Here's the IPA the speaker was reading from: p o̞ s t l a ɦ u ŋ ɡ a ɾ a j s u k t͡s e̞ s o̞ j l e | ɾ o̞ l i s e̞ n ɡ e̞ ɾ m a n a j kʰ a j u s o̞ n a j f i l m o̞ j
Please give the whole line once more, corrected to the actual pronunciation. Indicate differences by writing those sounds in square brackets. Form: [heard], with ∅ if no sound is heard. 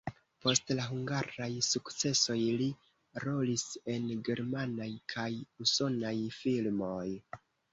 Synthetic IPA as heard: p o̞ s t l a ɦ u ŋ ɡ a ɾ a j s u k t͡s e̞ s o̞ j l [i] | ɾ o̞ l i s e̞ n ɡ e̞ ɾ m a n a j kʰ a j u s o̞ n a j f i l m o̞ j